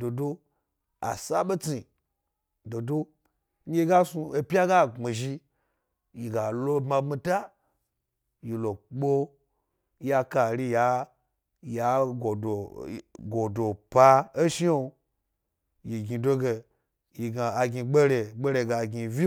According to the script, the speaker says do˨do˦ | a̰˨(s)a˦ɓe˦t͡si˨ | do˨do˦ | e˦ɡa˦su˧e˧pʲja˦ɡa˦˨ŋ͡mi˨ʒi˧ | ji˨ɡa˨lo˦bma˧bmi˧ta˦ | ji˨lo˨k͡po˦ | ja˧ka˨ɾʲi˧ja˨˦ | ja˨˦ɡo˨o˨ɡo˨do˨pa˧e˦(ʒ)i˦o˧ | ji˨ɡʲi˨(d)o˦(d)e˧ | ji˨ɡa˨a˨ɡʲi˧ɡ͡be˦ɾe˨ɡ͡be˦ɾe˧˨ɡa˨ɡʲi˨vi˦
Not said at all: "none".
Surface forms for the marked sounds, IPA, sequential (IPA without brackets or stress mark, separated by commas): s, ʃ, d, ɡ